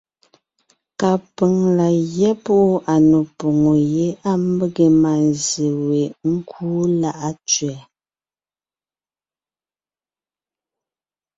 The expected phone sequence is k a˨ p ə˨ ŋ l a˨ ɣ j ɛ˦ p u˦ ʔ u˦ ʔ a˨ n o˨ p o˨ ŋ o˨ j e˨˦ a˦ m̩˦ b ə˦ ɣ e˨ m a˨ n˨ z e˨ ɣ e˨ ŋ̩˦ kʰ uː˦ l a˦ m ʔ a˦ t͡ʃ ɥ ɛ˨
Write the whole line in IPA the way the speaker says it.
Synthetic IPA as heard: k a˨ p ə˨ ŋ l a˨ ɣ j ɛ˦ p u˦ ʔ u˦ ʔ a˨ n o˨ p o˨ ŋ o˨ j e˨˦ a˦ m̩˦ b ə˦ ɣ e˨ m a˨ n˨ z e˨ w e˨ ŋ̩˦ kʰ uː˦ l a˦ ʔ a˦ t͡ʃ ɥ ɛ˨